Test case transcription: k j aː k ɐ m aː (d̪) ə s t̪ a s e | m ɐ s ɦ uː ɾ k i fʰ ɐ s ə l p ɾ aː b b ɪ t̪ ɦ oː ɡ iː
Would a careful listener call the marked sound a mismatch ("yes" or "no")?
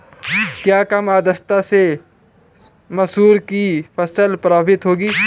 no